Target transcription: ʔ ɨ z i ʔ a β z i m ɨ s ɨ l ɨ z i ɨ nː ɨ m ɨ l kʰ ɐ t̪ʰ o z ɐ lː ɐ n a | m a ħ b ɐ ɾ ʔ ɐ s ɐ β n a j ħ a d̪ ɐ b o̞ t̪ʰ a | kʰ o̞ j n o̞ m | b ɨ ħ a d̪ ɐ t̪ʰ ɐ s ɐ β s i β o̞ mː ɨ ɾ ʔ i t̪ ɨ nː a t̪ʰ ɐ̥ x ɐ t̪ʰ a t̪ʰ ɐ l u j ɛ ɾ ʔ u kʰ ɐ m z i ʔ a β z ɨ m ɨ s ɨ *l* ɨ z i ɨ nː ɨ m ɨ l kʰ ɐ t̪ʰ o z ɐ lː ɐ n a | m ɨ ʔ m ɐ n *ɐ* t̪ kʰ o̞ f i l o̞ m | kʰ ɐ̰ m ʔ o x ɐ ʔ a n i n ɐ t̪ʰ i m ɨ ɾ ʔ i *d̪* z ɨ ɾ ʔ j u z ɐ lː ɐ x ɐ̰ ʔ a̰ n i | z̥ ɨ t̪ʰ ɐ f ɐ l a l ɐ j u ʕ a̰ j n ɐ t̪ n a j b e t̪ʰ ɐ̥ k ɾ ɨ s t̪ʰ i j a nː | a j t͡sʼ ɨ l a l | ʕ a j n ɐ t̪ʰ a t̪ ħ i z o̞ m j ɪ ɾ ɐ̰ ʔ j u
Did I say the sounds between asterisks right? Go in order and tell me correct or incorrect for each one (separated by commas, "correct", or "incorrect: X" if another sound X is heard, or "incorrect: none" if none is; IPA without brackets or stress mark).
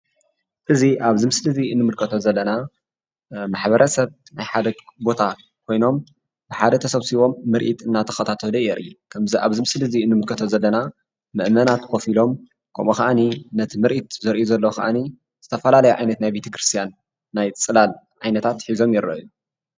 correct, incorrect: a, incorrect: t̪